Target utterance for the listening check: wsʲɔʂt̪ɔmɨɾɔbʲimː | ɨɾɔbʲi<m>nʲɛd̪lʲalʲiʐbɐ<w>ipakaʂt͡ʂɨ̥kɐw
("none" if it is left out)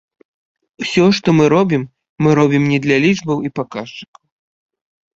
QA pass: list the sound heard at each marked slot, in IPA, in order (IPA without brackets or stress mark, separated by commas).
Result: m, w